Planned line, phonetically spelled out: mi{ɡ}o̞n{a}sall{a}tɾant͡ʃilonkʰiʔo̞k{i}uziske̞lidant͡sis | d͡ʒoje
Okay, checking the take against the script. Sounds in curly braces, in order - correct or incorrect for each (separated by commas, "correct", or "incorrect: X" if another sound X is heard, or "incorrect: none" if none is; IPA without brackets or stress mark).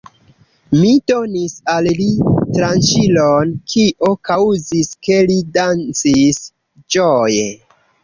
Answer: incorrect: d, incorrect: i, incorrect: i, incorrect: a